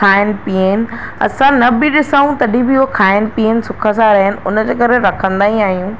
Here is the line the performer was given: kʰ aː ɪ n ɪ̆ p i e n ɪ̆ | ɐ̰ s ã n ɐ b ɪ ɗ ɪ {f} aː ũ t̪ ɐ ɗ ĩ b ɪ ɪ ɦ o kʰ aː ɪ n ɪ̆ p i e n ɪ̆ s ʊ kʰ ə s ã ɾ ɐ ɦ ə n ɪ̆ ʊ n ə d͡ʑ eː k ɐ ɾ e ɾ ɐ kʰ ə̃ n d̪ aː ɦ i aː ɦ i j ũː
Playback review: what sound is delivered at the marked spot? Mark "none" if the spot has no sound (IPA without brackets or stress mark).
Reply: s